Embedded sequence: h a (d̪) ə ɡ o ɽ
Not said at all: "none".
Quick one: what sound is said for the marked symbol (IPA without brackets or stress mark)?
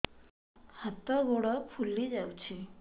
t̪